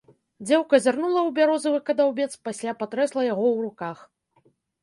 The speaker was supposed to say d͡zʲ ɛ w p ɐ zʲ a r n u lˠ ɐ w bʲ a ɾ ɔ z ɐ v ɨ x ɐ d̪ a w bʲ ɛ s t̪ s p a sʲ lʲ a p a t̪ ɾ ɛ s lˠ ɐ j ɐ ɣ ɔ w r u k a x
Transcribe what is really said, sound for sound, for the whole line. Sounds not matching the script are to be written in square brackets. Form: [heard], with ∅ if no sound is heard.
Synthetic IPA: d͡zʲ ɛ w [k] ɐ zʲ a r n u lˠ ɐ w bʲ a ɾ ɔ z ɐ v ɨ [k] ɐ d̪ a w bʲ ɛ [∅] t̪ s p a sʲ lʲ a p a t̪ ɾ ɛ s lˠ ɐ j [a] ɣ ɔ w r u k a x